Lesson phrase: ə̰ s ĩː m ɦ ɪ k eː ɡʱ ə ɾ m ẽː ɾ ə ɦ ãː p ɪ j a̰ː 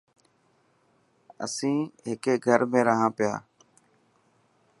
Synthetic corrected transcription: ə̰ s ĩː ɦ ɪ k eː ɡʱ ə ɾ m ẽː ɾ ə ɦ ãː p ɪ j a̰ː